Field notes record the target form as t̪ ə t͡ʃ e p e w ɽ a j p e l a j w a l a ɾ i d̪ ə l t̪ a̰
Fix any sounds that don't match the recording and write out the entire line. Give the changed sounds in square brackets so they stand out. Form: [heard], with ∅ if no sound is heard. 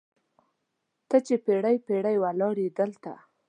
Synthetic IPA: t̪ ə t͡ʃ e p e [∅] ɽ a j p e [ɽ] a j w a l [ɑ] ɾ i d̪ ə l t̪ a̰